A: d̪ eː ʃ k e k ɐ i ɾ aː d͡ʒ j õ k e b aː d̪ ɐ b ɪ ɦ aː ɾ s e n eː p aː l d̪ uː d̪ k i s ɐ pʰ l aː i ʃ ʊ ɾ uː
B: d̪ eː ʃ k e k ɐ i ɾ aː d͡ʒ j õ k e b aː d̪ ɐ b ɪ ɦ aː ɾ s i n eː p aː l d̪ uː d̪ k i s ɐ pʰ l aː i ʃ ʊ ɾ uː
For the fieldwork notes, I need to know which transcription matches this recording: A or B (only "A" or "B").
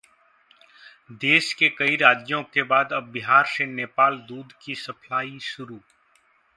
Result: A